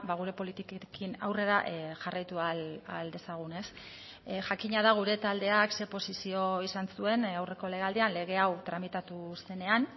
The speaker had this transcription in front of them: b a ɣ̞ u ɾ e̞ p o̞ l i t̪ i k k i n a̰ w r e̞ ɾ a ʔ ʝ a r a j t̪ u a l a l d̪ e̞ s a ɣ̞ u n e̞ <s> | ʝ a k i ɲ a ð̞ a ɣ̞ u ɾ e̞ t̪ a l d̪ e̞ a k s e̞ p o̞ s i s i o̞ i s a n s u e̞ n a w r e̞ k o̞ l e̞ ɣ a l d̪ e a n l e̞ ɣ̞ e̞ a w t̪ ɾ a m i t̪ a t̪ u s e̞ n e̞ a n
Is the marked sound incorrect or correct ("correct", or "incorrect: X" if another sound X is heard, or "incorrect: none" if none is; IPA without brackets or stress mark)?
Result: correct